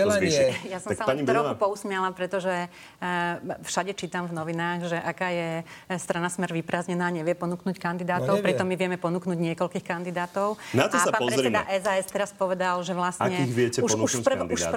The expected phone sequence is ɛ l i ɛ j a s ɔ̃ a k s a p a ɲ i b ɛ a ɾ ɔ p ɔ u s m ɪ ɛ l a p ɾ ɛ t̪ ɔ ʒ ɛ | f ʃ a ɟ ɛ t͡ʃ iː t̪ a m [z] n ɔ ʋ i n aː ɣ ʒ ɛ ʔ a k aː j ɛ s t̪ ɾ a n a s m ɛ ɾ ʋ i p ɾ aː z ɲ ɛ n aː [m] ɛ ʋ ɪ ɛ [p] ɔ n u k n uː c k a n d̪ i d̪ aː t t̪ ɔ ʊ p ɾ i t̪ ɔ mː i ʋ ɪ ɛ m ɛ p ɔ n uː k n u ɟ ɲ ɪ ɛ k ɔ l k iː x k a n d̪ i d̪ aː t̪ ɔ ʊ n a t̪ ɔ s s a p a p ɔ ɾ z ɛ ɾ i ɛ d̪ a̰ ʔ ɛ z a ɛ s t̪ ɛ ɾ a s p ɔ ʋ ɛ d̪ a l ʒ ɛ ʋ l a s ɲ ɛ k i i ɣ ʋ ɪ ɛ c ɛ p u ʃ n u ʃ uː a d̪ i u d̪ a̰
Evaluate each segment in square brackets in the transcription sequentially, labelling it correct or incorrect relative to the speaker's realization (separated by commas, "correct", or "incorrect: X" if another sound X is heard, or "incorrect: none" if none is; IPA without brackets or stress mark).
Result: incorrect: v, incorrect: ɲ, correct